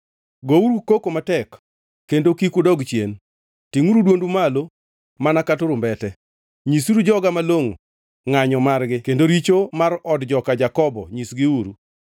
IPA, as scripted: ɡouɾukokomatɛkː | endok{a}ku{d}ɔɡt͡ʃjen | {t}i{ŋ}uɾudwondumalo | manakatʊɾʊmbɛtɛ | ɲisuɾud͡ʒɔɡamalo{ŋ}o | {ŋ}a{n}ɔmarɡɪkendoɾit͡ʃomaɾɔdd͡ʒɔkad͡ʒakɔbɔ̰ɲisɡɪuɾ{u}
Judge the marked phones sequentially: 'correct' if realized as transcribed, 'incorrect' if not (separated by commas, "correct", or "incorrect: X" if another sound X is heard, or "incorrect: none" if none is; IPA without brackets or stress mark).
incorrect: i, correct, correct, correct, correct, correct, incorrect: ɲ, correct